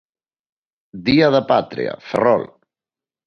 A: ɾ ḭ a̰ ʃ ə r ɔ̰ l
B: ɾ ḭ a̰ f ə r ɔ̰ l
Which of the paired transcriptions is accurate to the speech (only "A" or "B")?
B